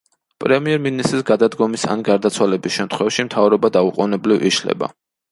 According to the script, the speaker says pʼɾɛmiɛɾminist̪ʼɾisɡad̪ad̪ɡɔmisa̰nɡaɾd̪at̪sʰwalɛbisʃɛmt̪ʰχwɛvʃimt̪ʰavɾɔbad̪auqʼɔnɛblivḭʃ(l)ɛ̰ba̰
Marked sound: correct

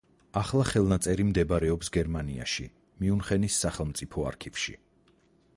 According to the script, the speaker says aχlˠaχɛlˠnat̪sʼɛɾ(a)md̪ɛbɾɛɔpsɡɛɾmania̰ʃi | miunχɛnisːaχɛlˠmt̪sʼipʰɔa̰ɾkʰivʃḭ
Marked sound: incorrect: i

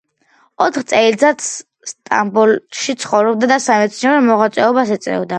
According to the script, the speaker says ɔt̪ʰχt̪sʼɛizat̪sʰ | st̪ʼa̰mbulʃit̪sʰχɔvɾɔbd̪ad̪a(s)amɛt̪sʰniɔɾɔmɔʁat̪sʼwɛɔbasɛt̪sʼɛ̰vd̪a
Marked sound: correct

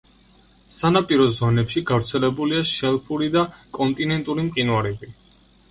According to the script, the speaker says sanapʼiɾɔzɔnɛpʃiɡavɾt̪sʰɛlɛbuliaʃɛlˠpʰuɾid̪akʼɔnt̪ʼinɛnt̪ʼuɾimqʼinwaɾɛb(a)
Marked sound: incorrect: i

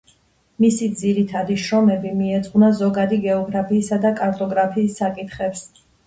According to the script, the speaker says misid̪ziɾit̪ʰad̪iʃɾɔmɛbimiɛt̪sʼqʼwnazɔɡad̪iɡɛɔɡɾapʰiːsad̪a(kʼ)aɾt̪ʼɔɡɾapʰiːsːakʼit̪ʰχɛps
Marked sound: correct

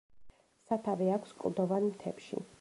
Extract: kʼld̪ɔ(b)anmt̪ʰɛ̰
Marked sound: incorrect: v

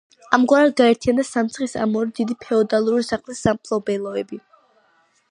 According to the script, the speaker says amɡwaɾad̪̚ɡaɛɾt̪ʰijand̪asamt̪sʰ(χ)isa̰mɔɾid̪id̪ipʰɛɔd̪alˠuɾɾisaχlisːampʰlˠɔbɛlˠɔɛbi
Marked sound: correct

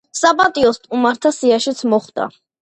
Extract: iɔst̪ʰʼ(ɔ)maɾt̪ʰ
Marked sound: incorrect: u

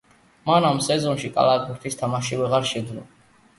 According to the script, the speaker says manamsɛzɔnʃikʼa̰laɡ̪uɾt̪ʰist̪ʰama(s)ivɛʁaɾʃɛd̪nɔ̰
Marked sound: incorrect: ʃ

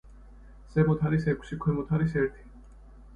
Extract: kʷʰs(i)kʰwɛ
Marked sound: correct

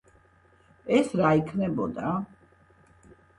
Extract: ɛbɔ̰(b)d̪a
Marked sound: incorrect: none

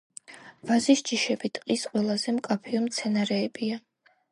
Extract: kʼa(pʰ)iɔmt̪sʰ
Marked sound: correct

